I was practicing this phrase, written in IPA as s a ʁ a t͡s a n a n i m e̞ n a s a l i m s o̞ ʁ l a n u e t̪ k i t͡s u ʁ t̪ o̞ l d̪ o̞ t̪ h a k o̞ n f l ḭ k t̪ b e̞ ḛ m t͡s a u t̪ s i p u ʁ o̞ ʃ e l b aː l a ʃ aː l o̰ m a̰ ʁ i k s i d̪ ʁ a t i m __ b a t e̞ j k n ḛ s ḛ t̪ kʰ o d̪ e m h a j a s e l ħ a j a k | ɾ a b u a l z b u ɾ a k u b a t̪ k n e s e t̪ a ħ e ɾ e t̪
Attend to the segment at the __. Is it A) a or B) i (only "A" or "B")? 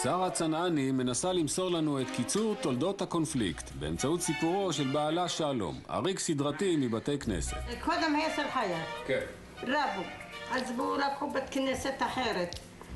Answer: B